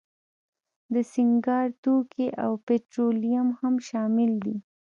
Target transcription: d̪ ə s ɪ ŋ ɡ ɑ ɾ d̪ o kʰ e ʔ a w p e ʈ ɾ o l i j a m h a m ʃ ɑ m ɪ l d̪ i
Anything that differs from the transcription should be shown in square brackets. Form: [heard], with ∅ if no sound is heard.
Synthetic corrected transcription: d̪ ə s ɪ ŋ ɡ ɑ ɾ [t̪] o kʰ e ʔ a w p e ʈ ɾ o l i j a m h a m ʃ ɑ m ɪ l d̪ i